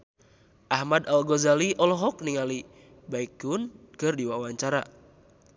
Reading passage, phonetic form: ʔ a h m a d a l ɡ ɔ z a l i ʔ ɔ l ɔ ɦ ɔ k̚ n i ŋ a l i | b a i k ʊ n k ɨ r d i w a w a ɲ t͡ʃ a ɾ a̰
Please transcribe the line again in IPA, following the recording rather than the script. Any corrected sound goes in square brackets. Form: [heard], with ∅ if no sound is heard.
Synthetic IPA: ʔ a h m a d a l ɡ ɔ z a l i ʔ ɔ l ɔ ɦ ɔ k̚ n i ŋ a l i | b a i k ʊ n k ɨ r d i w a w a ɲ t͡ʃ a ɾ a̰